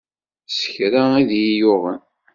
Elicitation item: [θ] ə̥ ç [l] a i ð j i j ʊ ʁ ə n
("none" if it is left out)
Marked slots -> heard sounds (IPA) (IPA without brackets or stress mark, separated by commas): s, ɾ